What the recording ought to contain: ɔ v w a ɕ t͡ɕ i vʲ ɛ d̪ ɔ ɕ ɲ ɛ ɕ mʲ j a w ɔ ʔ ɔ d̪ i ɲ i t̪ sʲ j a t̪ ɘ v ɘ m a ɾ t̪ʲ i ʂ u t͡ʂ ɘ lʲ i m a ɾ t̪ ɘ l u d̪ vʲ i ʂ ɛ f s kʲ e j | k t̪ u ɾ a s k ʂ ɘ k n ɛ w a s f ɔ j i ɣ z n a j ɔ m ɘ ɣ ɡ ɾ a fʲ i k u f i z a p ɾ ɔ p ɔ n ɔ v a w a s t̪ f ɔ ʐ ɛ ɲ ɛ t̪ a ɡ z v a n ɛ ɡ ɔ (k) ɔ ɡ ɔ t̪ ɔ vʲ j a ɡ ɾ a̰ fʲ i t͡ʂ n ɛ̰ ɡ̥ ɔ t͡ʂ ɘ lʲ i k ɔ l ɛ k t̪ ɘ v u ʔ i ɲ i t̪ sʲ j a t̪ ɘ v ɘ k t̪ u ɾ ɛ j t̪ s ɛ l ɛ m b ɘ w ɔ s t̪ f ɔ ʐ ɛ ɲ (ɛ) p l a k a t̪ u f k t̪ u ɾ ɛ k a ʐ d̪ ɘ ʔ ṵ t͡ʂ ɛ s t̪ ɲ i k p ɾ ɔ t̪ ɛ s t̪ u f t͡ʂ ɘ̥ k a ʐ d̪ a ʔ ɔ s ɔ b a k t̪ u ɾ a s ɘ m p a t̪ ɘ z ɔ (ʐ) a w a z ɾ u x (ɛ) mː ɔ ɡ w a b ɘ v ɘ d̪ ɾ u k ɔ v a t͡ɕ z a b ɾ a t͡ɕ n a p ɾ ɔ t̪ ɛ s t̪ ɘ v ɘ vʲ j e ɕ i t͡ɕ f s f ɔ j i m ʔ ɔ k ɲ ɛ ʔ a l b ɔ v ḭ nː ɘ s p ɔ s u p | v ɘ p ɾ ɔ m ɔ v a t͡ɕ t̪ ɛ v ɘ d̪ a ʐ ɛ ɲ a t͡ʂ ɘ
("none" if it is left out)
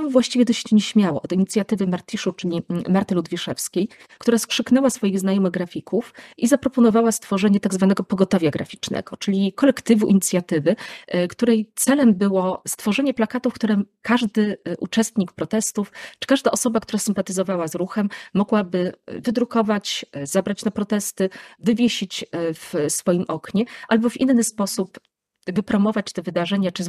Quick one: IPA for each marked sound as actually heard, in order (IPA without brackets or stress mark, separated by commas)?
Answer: p, ɛ, v, ɛ